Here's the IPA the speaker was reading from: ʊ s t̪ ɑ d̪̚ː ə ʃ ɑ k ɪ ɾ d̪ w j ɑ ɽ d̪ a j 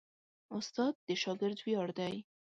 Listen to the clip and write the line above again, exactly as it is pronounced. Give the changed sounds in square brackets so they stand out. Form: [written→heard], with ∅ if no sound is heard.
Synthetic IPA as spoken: ʊ s t̪ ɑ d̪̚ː ə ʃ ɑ [k→ɡ] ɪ ɾ d̪ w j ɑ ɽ d̪ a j